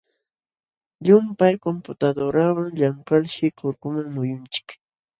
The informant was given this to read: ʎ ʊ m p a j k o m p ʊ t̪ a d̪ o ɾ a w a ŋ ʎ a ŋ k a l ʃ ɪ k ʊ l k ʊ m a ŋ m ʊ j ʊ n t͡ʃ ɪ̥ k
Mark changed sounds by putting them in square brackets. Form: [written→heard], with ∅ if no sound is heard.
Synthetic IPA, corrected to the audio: ʎ ʊ m p a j k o m p ʊ t̪ a d̪ o ɾ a w a ŋ ʎ a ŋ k a l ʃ ɪ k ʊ [l→ɾ] k ʊ m a ŋ m ʊ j ʊ n t͡ʃ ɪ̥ k